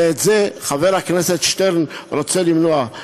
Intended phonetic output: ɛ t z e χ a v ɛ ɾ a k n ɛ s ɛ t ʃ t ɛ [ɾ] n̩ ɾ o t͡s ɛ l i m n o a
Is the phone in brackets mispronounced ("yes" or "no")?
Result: no